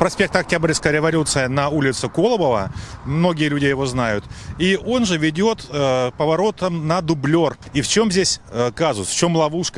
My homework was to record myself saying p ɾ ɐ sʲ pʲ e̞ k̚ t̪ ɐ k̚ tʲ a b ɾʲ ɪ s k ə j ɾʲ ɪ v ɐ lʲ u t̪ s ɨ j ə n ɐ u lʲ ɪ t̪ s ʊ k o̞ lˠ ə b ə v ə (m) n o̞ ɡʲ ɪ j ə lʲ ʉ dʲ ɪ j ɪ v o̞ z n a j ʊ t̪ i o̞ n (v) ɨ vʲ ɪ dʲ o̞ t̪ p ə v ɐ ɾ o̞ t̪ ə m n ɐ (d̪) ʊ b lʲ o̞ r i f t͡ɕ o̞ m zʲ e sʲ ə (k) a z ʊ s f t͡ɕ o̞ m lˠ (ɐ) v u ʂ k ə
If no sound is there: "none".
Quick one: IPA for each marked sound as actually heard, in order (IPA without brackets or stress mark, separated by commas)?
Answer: m, ʐ, d̪, k, ɐ